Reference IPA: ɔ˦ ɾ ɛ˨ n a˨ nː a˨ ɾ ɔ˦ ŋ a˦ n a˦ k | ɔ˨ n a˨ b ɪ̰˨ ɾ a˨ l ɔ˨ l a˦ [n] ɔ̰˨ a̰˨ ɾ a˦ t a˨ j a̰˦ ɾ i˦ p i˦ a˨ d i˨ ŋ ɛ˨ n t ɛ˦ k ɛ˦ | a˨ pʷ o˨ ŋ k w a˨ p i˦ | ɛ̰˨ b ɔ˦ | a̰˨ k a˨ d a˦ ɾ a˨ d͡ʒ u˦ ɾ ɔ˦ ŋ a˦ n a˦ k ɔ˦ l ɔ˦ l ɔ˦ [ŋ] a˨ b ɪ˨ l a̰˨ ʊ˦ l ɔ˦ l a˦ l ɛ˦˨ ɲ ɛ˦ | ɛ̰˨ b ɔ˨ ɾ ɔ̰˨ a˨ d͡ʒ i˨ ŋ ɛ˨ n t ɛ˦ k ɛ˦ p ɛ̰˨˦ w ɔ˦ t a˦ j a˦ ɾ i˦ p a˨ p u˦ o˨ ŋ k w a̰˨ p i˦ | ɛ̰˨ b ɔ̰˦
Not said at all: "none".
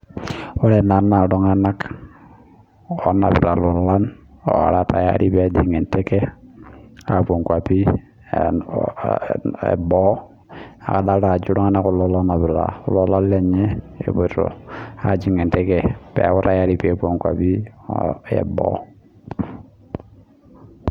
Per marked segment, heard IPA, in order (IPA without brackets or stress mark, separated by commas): n, n